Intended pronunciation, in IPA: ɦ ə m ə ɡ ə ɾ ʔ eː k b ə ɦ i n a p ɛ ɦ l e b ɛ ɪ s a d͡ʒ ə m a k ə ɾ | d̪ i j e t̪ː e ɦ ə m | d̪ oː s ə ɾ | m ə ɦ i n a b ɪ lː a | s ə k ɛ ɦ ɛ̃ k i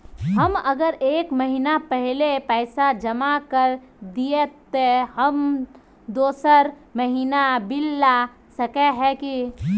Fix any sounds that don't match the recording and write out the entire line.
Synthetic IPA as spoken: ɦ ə m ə ɡ ə ɾ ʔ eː k m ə ɦ i n a p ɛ ɦ l e p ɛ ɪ s a d͡ʒ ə m a k ə ɾ | d̪ i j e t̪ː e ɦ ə m | d̪ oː s ə ɾ | m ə ɦ i n a b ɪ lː a | s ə k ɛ ɦ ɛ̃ k i